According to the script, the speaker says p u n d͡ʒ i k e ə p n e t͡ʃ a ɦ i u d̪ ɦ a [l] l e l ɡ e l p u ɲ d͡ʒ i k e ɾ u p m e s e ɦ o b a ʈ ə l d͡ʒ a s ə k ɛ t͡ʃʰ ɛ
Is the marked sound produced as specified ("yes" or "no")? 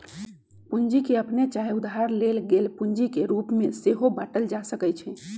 no